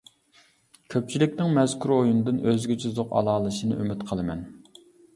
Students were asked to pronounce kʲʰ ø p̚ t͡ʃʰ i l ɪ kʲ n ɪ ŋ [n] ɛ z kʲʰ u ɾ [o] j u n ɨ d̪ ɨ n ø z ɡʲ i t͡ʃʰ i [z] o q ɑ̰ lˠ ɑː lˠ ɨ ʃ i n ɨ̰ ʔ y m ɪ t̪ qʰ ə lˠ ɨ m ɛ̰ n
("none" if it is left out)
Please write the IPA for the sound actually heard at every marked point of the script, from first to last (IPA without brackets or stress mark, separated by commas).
m, o, z